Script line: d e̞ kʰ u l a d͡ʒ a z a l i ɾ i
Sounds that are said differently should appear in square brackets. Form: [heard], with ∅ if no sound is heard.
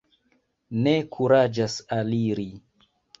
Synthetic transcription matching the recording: [n] e̞ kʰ u [ɾ] a d͡ʒ a [s] a l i ɾ i